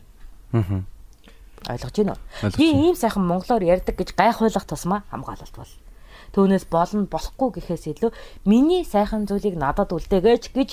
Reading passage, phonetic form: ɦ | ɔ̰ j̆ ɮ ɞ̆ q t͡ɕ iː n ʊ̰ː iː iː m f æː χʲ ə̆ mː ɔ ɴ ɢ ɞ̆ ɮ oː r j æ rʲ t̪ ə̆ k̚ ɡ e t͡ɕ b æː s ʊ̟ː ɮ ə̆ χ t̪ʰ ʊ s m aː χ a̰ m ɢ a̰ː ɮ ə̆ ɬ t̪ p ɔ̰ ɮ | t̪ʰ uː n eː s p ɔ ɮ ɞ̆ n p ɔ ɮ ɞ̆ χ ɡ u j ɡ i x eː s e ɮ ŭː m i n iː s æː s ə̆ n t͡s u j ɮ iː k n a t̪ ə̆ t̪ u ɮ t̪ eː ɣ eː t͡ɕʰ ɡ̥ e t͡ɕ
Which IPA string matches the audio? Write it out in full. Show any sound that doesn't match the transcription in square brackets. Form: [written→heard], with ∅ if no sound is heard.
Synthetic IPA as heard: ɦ | ɔ̰ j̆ ɮ ɞ̆ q t͡ɕ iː n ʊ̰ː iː iː m [f→s] æː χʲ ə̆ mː ɔ ɴ ɢ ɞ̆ ɮ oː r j æ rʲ t̪ ə̆ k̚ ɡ e t͡ɕ [b→ɢ] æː [s→χ] ʊ̟ː ɮ ə̆ χ t̪ʰ ʊ s m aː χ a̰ m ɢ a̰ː ɮ ə̆ ɬ t̪ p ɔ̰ ɮ | t̪ʰ uː n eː s p ɔ ɮ ɞ̆ n p ɔ ɮ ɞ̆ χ ɡ u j ɡ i x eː s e ɮ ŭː m i n iː s æː [s→χ] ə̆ n t͡s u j ɮ iː k n a t̪ ə̆ t̪ u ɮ t̪ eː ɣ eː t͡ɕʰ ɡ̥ e t͡ɕ